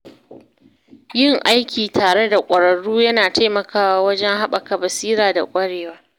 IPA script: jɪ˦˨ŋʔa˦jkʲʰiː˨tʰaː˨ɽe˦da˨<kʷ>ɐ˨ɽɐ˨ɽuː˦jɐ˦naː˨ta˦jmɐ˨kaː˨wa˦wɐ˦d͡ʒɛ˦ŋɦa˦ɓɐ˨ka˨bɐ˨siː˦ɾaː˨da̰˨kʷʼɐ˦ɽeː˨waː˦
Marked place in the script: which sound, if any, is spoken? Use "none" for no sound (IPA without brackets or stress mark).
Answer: kʷʼ